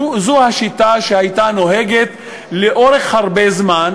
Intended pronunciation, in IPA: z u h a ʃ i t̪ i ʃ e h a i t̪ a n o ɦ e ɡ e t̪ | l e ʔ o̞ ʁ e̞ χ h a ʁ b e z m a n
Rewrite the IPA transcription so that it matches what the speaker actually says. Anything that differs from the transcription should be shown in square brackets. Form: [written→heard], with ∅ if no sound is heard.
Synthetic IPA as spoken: z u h a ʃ i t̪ [i→a] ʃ e h a [i→j] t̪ a n o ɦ e ɡ e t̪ | l e ʔ o̞ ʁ e̞ χ h a ʁ b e z m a n